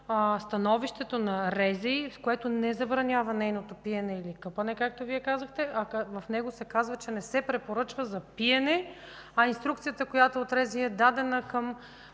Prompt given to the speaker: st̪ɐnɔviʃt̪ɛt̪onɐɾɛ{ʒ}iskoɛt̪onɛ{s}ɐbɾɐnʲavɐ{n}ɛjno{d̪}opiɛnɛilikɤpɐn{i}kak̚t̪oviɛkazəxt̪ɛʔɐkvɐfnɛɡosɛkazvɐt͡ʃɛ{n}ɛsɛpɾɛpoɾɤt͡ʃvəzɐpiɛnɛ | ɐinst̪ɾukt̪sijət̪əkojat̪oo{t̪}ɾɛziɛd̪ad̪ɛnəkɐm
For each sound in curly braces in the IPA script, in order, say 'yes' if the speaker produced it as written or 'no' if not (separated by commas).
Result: no, no, yes, no, no, yes, yes